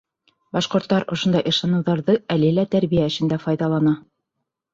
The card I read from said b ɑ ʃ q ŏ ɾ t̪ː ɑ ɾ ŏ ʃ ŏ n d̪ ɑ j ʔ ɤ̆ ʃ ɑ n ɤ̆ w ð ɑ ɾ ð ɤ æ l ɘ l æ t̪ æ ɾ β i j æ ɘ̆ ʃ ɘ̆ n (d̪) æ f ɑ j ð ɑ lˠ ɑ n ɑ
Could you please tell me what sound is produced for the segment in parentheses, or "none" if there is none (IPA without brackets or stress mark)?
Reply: d̪